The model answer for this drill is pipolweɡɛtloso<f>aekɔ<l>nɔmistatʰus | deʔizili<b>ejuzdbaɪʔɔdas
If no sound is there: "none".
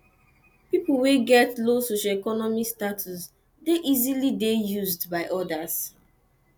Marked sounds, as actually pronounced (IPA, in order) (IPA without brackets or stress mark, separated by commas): ʃ, none, d